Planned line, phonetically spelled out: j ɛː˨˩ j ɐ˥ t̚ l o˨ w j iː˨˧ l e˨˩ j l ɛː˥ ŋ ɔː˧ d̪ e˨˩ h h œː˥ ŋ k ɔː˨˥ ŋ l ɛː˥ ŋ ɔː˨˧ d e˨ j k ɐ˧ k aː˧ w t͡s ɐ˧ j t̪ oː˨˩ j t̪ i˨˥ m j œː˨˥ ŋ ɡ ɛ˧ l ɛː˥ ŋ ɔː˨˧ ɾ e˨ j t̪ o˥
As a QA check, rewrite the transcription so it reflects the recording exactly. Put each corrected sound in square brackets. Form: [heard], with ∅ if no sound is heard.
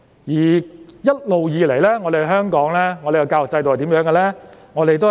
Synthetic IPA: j [iː˨˩] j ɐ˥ t̚ l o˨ w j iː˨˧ l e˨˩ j l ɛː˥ ŋ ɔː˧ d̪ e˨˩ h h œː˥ ŋ k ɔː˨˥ ŋ l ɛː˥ ŋ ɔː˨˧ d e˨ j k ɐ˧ k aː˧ w t͡s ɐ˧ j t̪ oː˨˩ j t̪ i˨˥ m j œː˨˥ ŋ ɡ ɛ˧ l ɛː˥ ŋ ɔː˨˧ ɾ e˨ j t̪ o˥